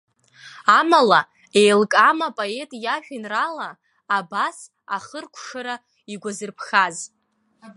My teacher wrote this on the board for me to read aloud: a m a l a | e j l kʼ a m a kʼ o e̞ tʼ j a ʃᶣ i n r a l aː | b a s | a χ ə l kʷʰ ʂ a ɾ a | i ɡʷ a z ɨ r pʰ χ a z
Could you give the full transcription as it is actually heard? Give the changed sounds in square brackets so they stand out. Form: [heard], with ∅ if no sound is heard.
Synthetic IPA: a m a l a | e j l kʼ a m a [pʼ] o e̞ tʼ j a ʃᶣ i n r a l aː | b a s | a χ ə [r] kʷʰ ʂ a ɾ a | i ɡʷ a z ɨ r pʰ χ a z